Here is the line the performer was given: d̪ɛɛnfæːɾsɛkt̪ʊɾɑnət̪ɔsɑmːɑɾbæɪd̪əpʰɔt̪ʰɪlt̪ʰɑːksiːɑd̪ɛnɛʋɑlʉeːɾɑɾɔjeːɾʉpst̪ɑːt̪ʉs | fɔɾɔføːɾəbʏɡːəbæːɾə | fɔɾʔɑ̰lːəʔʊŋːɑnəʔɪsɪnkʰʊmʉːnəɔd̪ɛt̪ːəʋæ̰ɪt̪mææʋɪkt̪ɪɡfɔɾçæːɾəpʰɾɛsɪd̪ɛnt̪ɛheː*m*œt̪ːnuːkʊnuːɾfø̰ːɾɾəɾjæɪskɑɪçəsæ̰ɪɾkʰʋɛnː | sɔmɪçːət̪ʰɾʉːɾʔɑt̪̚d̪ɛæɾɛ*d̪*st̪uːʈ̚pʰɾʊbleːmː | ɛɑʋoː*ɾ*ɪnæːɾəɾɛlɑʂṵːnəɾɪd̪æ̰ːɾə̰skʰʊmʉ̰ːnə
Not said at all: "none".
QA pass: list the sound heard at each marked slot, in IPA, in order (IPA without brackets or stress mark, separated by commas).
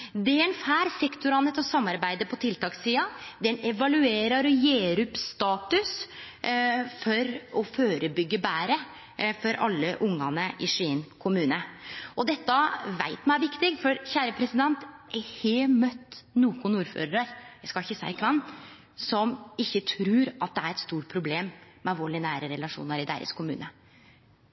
m, t̪, ɭ